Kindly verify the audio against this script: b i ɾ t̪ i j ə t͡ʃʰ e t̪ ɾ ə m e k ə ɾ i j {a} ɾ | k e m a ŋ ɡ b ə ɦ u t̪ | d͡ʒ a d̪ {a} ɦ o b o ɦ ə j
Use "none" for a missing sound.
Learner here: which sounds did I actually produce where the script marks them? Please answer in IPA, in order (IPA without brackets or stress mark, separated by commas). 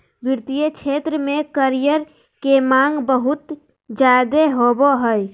ə, e